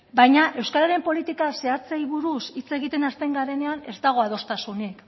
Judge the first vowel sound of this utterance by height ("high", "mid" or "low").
low